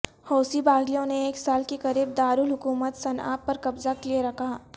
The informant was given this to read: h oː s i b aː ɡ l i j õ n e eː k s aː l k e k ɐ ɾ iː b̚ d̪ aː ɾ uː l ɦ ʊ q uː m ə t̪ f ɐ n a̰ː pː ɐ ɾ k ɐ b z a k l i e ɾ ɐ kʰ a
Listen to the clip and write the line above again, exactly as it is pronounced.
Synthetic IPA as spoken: h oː s i b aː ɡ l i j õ n e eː k s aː l k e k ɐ ɾ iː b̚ d̪ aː ɾ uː l ɦ ʊ k uː m ə t̪ s ɐ n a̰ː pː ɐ ɾ k ɐ b z a k l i e ɾ ɐ kʰ a